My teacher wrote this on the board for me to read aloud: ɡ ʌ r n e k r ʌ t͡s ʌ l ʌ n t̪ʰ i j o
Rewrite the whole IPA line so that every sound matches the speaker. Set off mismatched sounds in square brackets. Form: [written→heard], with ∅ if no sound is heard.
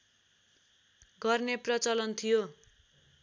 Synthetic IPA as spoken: ɡ ʌ r n e [k→p] r ʌ t͡s ʌ l ʌ n t̪ʰ i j o